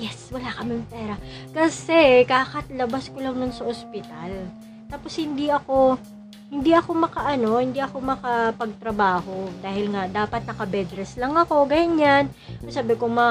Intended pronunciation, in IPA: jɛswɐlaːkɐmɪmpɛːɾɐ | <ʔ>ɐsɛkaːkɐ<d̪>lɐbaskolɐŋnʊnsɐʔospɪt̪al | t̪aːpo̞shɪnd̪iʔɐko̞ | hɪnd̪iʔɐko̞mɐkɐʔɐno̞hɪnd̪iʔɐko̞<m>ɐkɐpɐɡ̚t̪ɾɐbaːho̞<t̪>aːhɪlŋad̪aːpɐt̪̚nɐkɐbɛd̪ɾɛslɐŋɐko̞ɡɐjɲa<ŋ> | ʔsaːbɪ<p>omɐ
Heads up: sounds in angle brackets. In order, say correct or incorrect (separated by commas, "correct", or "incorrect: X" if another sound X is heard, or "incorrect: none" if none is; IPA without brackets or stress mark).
incorrect: k, incorrect: t̪, correct, incorrect: d̪, incorrect: n, incorrect: k